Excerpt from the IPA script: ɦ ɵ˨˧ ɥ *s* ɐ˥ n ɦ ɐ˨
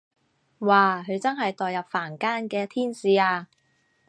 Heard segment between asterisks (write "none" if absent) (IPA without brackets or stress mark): t͡s